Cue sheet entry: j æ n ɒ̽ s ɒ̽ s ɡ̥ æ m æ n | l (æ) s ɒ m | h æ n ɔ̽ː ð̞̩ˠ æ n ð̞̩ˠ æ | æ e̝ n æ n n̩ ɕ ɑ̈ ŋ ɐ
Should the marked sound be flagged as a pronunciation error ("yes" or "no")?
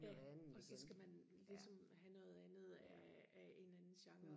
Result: yes